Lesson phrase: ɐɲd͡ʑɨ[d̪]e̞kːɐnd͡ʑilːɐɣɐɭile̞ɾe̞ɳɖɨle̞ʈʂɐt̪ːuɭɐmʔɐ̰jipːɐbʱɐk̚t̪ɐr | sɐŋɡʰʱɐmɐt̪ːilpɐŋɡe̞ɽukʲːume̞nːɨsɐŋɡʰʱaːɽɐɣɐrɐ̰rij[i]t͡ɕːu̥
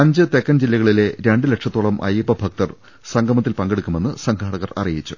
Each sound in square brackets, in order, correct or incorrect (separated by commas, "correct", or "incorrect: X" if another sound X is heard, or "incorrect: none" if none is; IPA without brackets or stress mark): incorrect: t̪, correct